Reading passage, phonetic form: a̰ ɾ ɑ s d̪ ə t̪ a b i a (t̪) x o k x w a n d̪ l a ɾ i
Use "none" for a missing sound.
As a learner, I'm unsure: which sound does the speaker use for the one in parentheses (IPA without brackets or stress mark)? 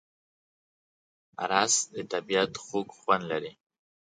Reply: t̪